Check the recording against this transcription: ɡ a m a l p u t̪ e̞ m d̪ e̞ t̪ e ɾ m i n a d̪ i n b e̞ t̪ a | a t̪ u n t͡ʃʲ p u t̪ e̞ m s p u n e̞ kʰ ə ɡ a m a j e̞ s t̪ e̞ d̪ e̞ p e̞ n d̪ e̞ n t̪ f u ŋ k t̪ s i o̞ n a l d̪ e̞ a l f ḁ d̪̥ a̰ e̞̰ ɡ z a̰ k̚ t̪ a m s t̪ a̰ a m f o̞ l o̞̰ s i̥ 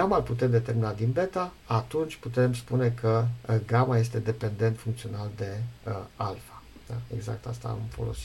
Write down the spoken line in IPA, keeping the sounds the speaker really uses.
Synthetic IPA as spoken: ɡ a m a l p u t̪ e̞ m d̪ e̞ t̪ e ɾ m i n a d̪ i n b e̞ t̪ a | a t̪ u n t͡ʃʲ p u t̪ e̞ m s p u n e̞ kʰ ə ɡ a m a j e̞ s t̪ e̞ d̪ e̞ p e̞ n d̪ e̞ n t̪ f u ŋ k t̪ s i o̞ n a l d̪ e̞ a l f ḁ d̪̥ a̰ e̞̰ ɡ z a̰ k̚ t̪ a s t̪ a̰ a m f o̞ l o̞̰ s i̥